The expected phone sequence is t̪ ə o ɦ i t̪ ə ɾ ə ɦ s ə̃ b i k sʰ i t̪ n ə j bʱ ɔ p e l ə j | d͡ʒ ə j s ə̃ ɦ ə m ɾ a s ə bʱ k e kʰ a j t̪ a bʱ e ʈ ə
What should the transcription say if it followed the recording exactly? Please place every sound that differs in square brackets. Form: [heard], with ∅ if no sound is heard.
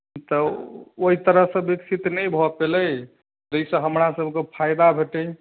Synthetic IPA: t̪ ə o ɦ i t̪ ə ɾ ə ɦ s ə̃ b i k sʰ i t̪ n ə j bʱ ɔ p e l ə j | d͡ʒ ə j s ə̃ ɦ ə m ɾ a s ə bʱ k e [pʰ] a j [d̪] a bʱ e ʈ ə